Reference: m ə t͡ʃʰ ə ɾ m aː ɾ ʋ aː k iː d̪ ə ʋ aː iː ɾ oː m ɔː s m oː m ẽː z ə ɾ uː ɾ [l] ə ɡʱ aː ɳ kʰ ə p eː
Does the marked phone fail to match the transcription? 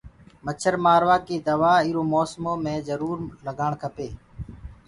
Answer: no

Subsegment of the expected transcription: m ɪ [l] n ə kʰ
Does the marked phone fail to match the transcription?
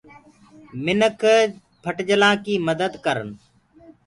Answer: yes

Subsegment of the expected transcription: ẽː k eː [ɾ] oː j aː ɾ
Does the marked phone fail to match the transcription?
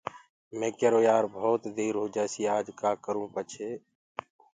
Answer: no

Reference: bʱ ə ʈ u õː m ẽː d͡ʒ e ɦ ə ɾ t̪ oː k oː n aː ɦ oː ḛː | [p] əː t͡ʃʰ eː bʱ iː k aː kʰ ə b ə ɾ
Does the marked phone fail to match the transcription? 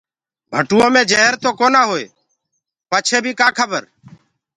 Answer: no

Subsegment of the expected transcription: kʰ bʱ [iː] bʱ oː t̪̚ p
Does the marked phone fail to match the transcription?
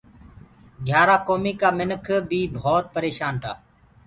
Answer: no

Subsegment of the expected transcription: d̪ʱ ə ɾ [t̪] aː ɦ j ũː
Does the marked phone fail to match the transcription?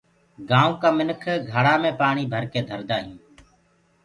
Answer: yes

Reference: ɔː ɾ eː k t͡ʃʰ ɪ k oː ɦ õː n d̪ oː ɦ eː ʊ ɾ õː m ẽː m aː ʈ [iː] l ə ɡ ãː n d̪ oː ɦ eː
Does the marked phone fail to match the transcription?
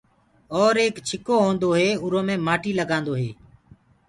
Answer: no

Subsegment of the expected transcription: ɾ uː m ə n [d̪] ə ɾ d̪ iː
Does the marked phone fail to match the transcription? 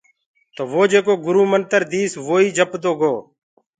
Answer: yes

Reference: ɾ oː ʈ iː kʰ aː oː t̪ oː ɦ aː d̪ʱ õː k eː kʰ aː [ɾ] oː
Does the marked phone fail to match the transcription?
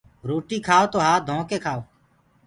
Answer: yes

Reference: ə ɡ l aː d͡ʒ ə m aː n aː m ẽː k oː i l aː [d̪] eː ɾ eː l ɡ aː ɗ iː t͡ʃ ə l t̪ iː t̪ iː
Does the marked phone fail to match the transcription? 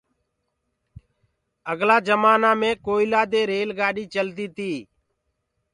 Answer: no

